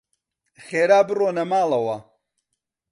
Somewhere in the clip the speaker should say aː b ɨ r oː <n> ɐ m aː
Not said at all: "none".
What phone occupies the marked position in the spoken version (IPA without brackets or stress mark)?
n